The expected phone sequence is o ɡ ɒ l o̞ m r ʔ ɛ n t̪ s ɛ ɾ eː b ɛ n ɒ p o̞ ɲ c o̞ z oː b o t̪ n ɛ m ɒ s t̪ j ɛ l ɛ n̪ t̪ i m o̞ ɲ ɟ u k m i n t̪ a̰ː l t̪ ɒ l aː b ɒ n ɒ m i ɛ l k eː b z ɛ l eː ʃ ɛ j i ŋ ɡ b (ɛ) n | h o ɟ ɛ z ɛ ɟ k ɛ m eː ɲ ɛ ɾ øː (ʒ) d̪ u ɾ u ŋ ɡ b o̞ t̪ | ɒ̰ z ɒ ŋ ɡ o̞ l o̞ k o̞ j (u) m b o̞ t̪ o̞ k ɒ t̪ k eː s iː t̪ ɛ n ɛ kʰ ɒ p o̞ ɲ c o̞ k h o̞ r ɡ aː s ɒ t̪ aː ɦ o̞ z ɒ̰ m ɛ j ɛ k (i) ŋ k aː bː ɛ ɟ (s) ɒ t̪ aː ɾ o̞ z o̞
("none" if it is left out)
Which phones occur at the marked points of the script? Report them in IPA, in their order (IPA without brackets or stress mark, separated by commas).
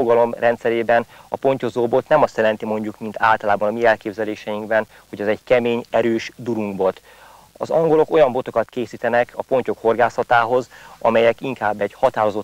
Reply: ɛ, ʃ, ɒ, i, h